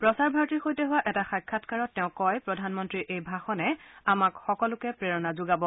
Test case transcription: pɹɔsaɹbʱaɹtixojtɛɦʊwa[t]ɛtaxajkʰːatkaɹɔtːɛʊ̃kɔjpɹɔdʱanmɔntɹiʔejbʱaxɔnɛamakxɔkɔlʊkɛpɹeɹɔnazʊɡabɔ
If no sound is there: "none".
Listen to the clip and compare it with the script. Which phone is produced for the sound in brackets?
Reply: ʔ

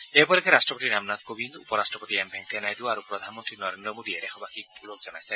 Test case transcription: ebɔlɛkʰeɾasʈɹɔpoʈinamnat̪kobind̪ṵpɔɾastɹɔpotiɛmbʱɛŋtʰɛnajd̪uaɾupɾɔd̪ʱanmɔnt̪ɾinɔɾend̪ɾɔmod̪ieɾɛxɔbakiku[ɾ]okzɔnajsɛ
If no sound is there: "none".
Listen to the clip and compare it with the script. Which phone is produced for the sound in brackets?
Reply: l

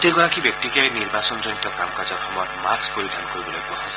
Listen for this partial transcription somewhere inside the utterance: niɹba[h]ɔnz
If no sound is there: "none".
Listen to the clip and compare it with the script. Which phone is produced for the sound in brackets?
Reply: s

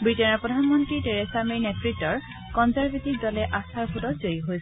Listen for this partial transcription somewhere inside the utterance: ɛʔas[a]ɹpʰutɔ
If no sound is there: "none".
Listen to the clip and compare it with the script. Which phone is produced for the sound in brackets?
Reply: a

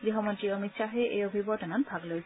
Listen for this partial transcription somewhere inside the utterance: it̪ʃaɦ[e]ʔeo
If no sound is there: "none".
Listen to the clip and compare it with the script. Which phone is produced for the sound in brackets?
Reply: e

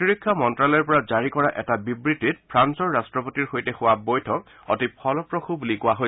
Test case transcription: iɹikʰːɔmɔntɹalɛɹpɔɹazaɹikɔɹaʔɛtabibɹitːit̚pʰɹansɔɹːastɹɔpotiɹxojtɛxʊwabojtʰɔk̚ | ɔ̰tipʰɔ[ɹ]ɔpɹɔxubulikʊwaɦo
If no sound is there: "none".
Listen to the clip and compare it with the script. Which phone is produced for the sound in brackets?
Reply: l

